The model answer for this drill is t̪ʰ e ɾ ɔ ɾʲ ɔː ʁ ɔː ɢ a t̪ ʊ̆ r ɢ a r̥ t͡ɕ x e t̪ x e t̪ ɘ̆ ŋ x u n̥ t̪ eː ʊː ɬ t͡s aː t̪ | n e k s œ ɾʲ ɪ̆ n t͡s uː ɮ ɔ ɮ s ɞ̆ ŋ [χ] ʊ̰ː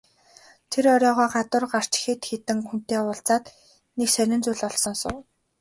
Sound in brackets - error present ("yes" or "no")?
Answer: yes